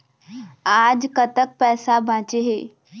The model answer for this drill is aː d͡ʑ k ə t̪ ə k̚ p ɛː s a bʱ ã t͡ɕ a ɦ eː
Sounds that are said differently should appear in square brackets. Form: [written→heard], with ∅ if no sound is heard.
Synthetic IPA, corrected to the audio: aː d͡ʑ k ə t̪ ə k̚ p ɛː s a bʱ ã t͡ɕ [a→e] ɦ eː